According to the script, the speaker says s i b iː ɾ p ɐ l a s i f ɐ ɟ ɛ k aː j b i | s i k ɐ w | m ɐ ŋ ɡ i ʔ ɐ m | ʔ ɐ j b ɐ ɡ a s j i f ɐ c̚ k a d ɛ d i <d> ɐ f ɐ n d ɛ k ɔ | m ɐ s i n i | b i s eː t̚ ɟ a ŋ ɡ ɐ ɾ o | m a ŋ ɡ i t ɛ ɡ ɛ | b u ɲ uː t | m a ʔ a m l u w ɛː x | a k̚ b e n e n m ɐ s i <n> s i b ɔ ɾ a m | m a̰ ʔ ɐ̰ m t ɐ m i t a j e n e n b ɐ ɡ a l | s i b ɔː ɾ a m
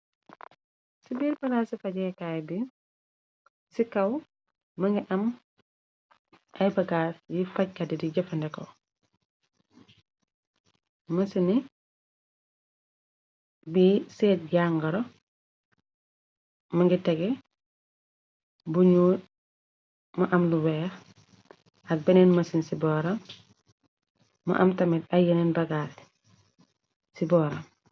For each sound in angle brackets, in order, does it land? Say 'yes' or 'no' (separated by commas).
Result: no, yes